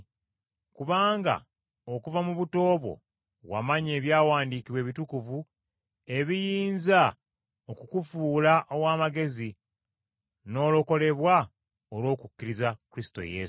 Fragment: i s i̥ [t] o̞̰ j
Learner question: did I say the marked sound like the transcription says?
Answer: yes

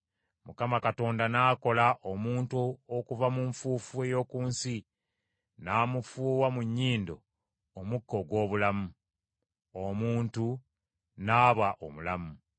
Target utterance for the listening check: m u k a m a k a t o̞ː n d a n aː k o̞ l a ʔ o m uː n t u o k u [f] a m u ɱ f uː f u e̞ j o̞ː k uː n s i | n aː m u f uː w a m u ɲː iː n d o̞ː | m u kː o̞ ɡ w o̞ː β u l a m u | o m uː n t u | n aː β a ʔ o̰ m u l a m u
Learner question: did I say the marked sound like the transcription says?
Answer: no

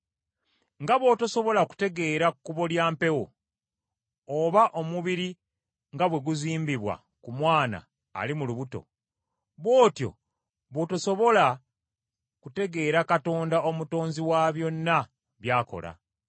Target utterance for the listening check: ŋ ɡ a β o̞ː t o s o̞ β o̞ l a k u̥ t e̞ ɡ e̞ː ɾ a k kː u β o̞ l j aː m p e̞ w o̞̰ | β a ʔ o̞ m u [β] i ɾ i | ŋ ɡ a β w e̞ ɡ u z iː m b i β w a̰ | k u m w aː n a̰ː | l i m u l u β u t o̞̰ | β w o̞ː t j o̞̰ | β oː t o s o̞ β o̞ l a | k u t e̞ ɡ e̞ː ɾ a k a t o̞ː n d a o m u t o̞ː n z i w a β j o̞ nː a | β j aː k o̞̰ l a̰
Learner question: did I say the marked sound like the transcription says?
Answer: yes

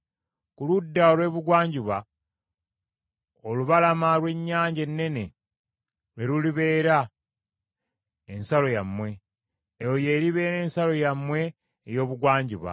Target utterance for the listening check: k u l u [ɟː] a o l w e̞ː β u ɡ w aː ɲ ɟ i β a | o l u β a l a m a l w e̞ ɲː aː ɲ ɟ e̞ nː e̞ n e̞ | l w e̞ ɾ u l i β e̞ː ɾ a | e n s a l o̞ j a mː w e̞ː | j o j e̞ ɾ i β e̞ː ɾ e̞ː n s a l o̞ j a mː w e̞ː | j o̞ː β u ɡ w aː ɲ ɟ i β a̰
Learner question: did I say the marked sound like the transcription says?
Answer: no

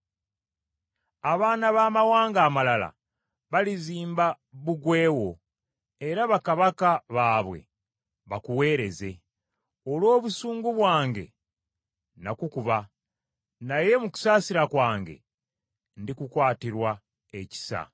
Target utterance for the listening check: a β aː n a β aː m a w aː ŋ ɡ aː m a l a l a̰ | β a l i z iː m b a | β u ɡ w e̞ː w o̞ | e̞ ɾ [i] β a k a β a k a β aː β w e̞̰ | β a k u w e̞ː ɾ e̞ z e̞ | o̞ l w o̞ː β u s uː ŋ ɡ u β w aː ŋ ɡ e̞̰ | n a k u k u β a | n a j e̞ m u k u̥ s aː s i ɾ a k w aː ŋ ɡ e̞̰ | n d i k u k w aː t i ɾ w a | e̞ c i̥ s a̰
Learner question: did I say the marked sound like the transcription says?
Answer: no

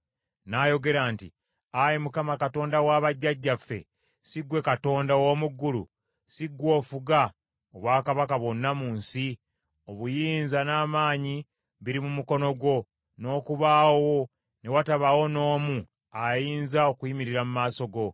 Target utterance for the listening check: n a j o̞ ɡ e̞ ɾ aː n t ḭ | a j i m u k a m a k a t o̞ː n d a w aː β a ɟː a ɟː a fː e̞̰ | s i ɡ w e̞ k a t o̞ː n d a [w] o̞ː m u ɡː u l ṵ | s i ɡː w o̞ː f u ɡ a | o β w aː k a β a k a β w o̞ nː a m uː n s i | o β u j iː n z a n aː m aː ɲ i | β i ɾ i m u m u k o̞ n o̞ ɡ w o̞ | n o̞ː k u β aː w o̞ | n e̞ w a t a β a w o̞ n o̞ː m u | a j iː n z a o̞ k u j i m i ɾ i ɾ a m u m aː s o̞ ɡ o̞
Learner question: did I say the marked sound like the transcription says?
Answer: yes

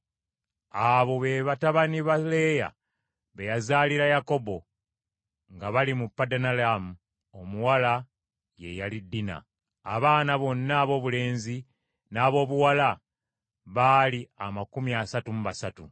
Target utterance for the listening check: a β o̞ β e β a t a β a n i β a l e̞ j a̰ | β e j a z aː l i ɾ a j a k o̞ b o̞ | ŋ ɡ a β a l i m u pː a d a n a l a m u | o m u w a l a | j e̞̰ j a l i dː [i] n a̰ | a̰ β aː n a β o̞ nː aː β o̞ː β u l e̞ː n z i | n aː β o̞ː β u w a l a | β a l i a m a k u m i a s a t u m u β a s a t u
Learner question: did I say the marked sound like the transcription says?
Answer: yes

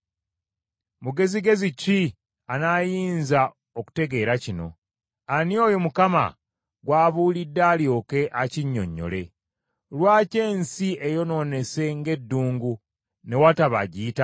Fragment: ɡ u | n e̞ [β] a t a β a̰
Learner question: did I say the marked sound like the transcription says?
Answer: no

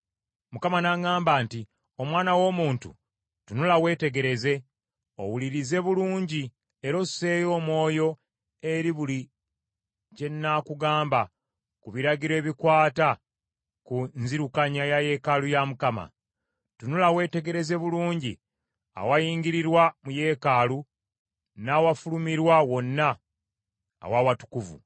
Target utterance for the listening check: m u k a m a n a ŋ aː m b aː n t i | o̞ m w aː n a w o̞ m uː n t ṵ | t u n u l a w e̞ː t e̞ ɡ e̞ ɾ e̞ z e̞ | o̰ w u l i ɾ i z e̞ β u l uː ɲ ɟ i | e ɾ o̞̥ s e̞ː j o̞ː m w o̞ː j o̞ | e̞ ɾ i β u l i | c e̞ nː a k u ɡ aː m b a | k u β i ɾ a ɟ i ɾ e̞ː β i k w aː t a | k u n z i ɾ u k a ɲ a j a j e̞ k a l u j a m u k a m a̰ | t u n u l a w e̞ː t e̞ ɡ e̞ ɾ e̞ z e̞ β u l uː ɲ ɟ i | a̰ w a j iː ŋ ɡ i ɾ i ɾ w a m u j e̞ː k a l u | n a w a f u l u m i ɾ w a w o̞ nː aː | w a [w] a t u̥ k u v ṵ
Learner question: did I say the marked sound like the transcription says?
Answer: yes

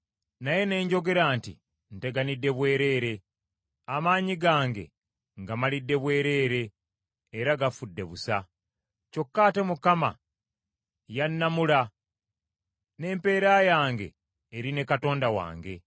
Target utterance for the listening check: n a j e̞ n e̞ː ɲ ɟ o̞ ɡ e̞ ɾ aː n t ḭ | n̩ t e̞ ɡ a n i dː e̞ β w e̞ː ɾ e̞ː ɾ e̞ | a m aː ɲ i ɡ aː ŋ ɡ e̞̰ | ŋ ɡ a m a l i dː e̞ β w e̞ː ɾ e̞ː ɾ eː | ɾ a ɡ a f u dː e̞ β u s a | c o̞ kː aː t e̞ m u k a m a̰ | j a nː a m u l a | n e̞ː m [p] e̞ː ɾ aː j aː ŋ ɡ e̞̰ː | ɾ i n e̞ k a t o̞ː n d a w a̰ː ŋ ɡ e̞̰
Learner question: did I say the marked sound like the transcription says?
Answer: yes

